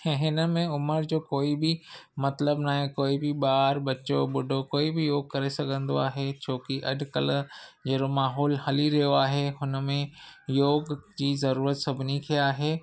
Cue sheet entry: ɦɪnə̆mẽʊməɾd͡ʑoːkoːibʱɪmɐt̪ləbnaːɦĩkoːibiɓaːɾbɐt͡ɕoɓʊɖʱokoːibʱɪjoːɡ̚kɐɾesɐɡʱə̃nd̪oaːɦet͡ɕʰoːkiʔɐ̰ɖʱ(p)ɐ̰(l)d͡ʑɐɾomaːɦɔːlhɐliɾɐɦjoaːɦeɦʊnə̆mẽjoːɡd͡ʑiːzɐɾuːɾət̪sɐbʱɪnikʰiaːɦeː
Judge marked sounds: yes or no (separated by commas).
no, yes